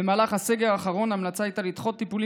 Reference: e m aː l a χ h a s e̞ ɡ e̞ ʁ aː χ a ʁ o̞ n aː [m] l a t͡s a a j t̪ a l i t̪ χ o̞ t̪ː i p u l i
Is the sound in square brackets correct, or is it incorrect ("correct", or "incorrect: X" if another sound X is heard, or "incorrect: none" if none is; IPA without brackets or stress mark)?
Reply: correct